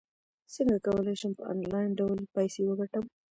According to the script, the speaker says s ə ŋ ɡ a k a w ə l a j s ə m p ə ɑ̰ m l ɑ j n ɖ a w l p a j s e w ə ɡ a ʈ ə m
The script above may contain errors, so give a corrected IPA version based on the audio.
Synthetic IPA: s ə ŋ ɡ a k a w ə l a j ʃ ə m p ə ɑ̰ n l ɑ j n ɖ a w l p a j s e w ə ɡ a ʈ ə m